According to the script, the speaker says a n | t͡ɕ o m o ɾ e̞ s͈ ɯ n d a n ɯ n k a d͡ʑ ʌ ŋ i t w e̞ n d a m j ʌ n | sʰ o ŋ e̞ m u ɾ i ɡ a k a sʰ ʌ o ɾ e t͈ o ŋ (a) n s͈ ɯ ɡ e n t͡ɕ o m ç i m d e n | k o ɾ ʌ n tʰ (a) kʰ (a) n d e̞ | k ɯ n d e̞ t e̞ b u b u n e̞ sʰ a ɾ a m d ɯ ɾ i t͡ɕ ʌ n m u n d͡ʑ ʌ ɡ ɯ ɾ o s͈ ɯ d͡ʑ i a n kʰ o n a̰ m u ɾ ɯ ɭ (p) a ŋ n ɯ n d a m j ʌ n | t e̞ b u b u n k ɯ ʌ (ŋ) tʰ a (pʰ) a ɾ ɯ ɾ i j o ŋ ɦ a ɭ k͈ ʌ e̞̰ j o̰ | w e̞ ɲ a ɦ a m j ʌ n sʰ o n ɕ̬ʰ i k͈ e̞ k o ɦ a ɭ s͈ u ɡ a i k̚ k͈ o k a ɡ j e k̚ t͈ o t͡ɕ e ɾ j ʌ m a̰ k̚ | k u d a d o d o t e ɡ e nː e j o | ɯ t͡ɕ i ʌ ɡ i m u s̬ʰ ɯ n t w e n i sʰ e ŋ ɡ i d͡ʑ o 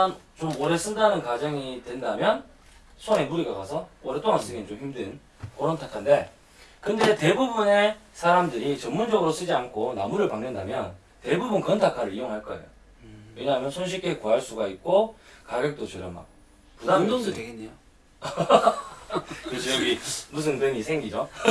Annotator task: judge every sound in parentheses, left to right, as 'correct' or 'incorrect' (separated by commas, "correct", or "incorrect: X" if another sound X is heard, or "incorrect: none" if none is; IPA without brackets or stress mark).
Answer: correct, correct, correct, correct, incorrect: n, incorrect: kʰ